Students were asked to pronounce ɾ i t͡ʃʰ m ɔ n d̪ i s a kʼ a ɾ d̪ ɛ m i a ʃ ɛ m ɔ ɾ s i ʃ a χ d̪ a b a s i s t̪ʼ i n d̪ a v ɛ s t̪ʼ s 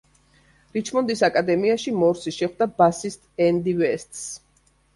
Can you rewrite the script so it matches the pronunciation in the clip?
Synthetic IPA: ɾ i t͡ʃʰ m ɔ n d̪ i s a kʼ a d̪ ɛ m i a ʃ i m ɔ ɾ s i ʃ ɛ χ d̪ a b a s i s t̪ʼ ɛ n d̪ i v ɛ s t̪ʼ s